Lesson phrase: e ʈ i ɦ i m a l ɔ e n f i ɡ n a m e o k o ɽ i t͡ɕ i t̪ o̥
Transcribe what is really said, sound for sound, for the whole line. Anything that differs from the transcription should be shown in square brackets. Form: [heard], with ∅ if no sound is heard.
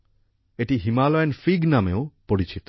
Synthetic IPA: e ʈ i ɦ i m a l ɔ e n f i ɡ n a m e o [p] o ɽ i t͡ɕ i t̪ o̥

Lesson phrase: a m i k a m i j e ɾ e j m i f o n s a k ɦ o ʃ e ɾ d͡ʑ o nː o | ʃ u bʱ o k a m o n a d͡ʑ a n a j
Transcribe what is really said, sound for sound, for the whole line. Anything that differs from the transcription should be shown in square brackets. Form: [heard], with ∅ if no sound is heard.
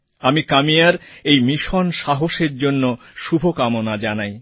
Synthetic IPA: a m i k a m i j [a] ɾ e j m i [ʃ] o n [ʃ] a [∅] ɦ o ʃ e ɾ d͡ʑ o nː o | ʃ u bʱ o k a m o n a d͡ʑ a n a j

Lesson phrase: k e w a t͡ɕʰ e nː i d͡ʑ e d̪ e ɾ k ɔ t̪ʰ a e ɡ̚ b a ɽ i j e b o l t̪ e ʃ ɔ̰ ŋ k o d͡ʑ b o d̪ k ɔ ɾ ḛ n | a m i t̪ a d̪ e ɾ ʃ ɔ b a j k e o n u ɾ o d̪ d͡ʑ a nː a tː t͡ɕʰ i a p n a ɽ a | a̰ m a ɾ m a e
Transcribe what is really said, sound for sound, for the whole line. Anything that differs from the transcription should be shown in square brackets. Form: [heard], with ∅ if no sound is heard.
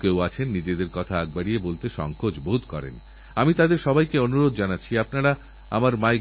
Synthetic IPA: k e w a t͡ɕʰ e nː i d͡ʑ e d̪ e ɾ k ɔ t̪ʰ a [a] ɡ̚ b a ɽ i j e b o l t̪ e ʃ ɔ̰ ŋ k o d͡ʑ b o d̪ k ɔ ɾ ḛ n | a m i t̪ a d̪ e ɾ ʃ ɔ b a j k e o n u ɾ o d̪ d͡ʑ a [n] a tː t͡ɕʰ i a p n a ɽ a | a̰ m a ɾ m a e

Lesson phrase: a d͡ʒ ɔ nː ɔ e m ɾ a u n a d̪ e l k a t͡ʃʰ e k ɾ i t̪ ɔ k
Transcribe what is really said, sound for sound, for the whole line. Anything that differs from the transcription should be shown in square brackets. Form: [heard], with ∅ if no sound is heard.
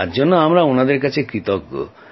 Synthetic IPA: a d͡ʒ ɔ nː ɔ [a] m ɾ a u n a d̪ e [ɾ] k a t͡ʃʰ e k ɾ i t̪ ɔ k

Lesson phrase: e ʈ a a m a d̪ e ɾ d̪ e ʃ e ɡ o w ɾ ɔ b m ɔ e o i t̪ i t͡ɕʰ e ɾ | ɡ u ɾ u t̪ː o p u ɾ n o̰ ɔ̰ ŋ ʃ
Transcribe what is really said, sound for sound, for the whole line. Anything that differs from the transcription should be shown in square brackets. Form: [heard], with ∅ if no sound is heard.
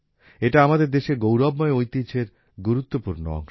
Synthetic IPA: e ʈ a a m a d̪ e ɾ d̪ e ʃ e ɡ o w ɾ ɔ b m ɔ e o [j] t̪ i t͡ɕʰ e ɾ | ɡ u ɾ u t̪ː o p u ɾ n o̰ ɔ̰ ŋ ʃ

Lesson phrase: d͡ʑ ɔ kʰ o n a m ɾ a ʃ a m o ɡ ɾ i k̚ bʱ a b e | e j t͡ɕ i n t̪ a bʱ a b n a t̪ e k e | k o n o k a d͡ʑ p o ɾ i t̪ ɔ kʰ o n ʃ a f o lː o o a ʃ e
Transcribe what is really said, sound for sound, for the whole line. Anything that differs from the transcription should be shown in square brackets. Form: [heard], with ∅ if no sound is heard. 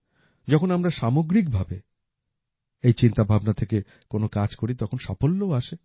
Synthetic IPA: d͡ʑ ɔ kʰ o n a m ɾ a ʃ a m o ɡ ɾ i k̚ bʱ a b e | e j t͡ɕ i n t̪ a bʱ a b n a [t̪ʰ] e k e | k o n o k a d͡ʑ [k] o ɾ i t̪ ɔ kʰ o n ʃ a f o lː o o a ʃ e

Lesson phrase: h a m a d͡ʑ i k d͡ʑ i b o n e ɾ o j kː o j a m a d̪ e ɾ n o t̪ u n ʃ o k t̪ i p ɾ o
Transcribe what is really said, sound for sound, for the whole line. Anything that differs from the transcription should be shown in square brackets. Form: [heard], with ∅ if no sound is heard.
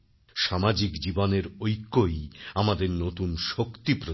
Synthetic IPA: [ʃ] a m a d͡ʑ i k d͡ʑ i b o n e ɾ o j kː o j a m a d̪ e ɾ n o t̪ u n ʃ o k t̪ i p ɾ o

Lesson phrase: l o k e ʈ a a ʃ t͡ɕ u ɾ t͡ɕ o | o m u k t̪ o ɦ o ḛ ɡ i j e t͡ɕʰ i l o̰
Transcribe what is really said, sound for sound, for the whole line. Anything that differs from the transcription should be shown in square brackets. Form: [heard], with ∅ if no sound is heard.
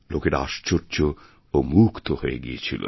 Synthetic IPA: l o k e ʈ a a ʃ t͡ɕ [o] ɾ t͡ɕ o | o m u k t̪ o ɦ o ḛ ɡ i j e t͡ɕʰ i l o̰

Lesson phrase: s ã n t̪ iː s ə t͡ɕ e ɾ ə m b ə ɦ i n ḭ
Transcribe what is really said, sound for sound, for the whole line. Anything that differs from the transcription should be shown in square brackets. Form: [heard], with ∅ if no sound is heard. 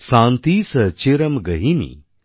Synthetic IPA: s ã n t̪ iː s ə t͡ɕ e ɾ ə m [ɡ] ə ɦ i n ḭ

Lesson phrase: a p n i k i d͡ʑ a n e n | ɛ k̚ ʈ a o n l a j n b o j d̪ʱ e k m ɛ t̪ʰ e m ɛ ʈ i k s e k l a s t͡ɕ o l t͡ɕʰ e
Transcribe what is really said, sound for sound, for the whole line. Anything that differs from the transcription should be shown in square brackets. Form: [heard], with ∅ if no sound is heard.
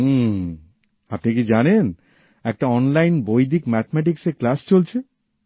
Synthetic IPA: a p n i k i d͡ʑ a n e n | ɛ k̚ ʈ a [ɔ] n l a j n b o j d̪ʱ [i] k m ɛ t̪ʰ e m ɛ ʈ i k s e k l a s t͡ɕ o l t͡ɕʰ e

